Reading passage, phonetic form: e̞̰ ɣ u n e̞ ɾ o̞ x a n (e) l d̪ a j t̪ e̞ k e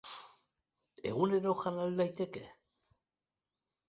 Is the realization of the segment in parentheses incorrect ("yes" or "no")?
yes